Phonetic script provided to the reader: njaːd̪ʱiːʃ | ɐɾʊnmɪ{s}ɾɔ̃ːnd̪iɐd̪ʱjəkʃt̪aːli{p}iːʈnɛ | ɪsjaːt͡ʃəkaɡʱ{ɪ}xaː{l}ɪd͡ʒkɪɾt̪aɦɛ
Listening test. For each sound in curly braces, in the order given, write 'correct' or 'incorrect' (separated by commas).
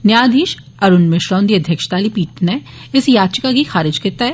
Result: incorrect, correct, incorrect, incorrect